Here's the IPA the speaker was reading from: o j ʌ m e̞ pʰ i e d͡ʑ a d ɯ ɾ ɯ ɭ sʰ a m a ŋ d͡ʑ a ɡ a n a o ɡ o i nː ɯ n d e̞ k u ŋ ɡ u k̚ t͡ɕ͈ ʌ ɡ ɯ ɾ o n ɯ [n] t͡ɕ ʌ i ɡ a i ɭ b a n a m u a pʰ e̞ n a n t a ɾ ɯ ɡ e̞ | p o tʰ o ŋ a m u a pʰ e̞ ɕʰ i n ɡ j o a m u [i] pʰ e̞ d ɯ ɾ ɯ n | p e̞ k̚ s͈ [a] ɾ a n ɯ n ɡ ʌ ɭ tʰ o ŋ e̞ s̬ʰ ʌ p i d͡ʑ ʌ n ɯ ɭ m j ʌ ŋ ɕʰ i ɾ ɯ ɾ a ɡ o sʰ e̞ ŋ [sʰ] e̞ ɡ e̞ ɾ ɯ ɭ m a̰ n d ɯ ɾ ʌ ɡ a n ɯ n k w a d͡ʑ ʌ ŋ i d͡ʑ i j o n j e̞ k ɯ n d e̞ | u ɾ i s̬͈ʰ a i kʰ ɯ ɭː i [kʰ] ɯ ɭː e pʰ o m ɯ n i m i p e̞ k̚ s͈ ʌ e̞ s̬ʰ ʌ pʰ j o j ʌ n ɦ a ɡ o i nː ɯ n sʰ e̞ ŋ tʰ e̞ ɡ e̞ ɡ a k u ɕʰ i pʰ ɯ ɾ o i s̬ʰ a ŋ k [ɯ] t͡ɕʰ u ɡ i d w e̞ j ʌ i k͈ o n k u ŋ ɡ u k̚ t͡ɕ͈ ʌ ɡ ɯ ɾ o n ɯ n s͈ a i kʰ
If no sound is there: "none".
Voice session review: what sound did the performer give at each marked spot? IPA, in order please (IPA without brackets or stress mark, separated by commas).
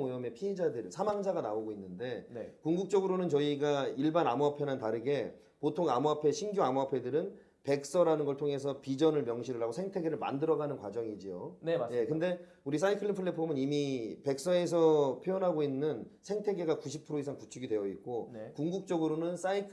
n, a, ʌ, tʰ, pʰ, u